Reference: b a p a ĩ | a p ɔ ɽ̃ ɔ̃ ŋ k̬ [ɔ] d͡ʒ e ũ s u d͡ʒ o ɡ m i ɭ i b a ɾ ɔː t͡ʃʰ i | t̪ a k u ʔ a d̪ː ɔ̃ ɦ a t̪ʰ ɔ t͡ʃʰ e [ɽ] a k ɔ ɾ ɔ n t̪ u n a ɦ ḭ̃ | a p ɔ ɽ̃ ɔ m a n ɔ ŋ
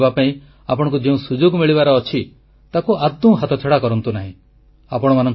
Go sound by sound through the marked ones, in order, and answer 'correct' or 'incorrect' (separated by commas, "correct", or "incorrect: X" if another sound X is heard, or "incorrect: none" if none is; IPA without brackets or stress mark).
incorrect: u, correct